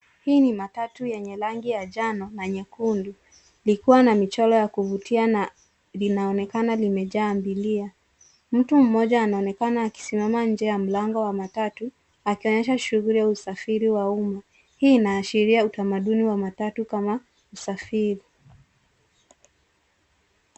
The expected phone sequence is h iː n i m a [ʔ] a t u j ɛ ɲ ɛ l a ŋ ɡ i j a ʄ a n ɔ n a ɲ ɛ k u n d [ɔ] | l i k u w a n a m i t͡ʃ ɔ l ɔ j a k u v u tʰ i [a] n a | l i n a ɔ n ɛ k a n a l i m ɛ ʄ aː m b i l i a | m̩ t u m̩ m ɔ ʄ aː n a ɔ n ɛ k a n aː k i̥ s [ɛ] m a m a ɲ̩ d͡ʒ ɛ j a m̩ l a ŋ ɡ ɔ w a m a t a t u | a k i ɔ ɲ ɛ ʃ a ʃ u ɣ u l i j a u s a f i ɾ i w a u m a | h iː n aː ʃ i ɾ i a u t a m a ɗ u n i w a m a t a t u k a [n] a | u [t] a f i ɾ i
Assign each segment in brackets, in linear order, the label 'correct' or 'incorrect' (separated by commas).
incorrect, incorrect, correct, incorrect, incorrect, incorrect